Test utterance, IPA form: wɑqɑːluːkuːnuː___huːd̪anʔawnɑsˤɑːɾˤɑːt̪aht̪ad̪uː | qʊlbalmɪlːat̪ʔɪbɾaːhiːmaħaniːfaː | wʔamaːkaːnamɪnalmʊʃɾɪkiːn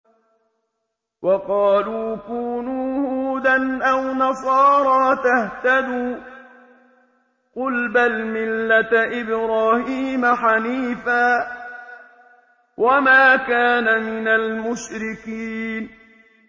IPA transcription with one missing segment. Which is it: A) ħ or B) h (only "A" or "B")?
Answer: B